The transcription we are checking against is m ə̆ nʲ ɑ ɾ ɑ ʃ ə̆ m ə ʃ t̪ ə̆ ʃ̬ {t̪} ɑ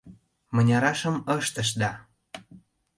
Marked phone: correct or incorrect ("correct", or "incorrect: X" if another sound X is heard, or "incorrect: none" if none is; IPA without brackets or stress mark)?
incorrect: d̪